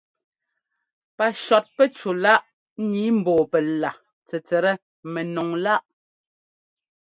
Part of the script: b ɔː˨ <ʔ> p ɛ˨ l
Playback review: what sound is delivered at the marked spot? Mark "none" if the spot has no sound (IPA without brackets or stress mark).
none